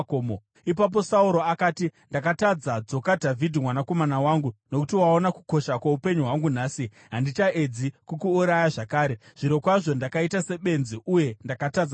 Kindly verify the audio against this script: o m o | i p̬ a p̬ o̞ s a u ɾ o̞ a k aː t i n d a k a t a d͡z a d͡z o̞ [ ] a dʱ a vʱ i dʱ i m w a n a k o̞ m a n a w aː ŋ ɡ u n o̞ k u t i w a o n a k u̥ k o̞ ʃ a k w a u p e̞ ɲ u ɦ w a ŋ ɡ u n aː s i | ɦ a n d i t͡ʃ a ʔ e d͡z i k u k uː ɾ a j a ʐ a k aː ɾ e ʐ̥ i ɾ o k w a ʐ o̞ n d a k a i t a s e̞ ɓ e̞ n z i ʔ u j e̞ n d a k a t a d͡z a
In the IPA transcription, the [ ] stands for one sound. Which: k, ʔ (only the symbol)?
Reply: k